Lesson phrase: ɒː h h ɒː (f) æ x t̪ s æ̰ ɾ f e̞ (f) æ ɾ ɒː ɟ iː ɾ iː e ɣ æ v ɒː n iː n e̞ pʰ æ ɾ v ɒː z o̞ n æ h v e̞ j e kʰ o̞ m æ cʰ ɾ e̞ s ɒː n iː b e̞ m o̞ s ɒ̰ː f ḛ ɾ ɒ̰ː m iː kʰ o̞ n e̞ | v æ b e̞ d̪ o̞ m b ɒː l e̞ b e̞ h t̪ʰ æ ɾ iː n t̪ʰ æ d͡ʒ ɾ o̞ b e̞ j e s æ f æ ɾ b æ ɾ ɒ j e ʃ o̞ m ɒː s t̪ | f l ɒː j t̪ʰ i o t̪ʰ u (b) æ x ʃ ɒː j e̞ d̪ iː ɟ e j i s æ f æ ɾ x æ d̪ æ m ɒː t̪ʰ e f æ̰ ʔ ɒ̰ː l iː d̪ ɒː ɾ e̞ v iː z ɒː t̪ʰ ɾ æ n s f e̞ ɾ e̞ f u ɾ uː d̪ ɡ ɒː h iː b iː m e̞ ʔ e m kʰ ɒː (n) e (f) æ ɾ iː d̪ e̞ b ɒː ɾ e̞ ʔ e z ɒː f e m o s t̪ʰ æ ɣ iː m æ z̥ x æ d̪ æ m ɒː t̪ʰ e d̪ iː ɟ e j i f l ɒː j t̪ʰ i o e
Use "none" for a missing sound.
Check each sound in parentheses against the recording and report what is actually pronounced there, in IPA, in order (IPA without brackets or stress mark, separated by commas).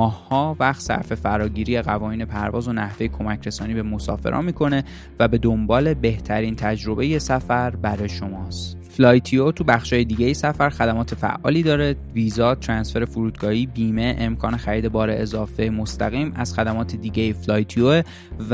v, f, b, n, x